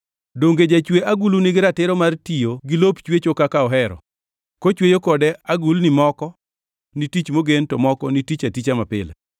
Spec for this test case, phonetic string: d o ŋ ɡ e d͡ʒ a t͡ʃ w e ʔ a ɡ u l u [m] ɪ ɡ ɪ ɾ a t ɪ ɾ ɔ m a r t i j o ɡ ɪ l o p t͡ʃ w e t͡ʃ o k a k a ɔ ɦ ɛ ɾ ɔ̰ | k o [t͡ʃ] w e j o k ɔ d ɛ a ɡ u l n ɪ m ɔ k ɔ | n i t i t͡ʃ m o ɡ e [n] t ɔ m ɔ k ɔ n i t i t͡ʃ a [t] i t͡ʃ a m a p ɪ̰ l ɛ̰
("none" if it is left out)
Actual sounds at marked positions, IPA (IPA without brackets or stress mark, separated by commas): n, t͡ʃ, n, t